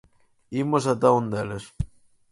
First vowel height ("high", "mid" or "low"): high